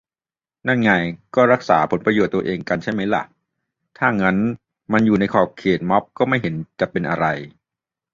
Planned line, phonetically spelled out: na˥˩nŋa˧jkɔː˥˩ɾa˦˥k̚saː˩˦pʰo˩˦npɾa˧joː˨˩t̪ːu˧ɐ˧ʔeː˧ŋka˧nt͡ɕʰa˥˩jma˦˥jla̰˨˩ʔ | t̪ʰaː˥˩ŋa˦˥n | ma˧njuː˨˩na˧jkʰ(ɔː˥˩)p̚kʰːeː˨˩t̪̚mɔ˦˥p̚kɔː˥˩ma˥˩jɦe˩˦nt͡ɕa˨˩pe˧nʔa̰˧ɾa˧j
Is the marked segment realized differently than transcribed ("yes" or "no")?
yes